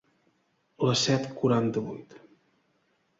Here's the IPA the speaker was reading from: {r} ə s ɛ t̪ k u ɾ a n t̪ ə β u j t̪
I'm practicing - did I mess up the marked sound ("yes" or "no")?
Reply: yes